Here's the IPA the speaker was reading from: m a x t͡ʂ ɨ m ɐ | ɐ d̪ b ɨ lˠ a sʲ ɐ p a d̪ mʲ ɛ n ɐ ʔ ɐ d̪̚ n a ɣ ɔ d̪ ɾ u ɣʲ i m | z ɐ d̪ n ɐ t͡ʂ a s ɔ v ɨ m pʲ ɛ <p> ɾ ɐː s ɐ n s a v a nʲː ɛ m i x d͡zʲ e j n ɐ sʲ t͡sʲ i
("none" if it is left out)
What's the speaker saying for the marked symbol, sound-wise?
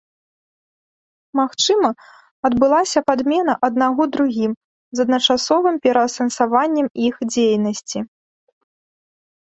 none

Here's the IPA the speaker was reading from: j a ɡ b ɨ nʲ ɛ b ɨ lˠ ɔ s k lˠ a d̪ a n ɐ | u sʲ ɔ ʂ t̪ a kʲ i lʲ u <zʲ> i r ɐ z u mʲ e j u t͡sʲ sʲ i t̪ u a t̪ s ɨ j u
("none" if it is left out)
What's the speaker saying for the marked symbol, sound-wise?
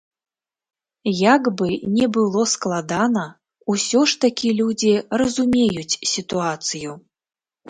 d͡zʲ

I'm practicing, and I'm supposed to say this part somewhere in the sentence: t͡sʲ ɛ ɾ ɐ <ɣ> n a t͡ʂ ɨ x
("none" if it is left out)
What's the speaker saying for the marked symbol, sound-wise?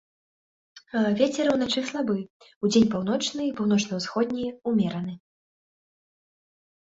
w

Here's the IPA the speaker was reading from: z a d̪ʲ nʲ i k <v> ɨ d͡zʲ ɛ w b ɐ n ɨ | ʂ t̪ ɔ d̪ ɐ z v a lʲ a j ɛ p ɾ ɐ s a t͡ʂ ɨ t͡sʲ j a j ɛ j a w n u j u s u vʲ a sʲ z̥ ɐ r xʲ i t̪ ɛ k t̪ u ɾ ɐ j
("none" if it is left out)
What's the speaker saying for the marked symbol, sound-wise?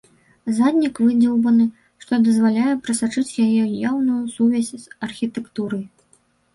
v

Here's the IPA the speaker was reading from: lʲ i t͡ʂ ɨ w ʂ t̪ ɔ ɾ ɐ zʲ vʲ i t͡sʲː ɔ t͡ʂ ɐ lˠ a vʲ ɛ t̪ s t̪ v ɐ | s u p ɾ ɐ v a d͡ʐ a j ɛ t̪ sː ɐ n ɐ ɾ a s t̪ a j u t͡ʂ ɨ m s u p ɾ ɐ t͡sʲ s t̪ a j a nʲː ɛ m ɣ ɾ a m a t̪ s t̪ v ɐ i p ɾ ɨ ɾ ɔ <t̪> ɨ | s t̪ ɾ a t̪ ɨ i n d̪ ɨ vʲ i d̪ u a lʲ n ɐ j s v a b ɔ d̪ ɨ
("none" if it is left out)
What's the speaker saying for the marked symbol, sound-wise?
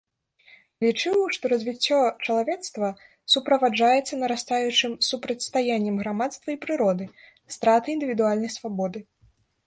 d̪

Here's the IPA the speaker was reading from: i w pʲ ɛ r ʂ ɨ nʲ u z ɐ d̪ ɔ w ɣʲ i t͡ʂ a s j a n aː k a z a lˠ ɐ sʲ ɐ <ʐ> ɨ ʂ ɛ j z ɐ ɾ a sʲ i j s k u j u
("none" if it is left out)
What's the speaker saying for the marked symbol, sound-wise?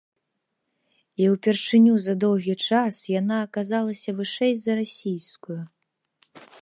v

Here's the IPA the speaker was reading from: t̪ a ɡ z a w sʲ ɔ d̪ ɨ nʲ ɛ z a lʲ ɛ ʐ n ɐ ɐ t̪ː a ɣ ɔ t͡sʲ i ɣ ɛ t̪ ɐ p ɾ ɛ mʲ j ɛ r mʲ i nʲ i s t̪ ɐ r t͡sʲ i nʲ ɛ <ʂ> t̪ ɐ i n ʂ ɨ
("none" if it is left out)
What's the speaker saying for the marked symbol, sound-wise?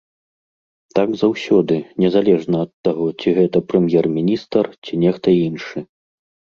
x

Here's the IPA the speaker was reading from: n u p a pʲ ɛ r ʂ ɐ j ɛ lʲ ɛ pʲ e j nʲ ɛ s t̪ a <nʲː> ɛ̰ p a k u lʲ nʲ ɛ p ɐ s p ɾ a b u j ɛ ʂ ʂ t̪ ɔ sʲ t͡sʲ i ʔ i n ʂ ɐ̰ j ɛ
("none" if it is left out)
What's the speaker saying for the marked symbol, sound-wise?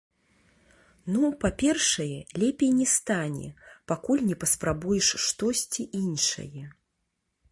nʲ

